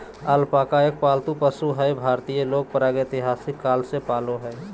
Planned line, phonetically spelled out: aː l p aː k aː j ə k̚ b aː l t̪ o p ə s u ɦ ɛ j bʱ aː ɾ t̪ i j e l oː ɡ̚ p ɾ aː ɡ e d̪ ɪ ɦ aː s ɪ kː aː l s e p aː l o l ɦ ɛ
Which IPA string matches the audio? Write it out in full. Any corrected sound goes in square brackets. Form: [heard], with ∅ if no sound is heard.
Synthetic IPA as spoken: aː l p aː k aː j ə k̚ [p] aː l t̪ [u] p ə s u ɦ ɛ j bʱ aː ɾ t̪ i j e l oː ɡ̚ p ɾ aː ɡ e [t̪] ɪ ɦ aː s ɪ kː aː l s e p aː l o [∅] ɦ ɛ